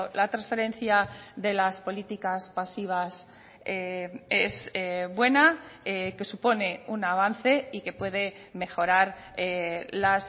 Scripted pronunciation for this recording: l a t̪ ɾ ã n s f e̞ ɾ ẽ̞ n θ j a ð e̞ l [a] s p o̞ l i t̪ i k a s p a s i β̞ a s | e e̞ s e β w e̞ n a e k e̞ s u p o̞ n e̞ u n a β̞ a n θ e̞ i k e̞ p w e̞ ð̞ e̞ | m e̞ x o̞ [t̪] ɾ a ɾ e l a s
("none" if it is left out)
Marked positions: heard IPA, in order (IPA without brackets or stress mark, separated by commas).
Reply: a, none